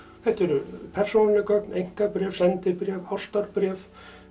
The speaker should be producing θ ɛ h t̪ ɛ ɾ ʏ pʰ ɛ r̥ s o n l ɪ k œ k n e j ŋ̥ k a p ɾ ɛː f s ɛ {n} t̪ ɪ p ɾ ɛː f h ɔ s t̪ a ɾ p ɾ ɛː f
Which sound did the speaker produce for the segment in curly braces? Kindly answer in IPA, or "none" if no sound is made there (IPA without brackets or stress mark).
n